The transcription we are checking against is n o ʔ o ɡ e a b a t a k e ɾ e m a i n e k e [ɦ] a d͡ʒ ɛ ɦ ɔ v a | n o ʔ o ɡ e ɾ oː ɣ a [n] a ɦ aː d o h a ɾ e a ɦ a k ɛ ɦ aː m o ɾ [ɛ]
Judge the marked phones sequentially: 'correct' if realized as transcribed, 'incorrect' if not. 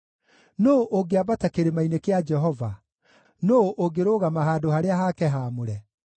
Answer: incorrect: none, incorrect: m, correct

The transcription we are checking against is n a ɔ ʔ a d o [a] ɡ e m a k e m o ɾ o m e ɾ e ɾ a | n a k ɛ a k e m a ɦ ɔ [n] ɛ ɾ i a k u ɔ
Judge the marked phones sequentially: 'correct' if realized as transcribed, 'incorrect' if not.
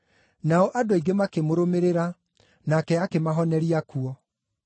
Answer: incorrect: i, correct

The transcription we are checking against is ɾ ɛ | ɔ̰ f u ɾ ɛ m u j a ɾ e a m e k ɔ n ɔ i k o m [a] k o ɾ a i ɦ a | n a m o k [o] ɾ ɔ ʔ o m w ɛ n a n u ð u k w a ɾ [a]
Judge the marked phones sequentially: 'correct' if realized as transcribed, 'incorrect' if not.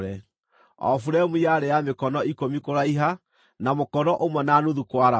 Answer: incorrect: i, incorrect: ɔ, correct

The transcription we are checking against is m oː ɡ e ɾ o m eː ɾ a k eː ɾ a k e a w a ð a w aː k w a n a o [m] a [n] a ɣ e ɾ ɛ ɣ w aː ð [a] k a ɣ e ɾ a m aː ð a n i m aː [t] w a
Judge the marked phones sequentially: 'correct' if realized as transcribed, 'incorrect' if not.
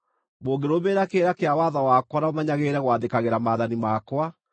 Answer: correct, incorrect: ɲ, incorrect: e, incorrect: k

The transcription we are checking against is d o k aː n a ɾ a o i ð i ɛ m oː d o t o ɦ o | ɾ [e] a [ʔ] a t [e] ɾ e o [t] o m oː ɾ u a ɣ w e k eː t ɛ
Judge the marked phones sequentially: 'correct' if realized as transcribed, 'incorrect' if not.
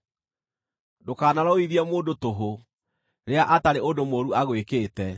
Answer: correct, correct, incorrect: a, incorrect: d

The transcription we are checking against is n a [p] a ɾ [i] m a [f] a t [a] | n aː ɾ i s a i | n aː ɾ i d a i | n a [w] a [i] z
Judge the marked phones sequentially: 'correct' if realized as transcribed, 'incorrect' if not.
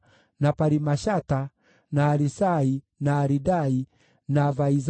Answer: correct, correct, incorrect: ʃ, correct, incorrect: v, correct

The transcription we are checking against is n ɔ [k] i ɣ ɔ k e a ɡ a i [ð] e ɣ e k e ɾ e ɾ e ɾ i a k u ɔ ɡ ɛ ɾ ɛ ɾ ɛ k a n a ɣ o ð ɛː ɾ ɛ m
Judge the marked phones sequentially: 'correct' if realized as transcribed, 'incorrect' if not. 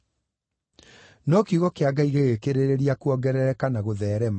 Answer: correct, incorrect: ɣ

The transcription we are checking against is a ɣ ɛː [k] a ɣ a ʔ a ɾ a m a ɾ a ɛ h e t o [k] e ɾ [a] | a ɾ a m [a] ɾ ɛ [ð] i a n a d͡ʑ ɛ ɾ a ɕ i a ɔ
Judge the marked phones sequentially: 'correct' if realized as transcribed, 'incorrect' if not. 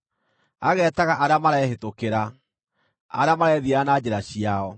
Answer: incorrect: t, correct, correct, correct, correct

